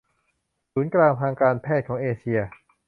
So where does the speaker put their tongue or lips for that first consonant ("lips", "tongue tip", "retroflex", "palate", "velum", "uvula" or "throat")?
tongue tip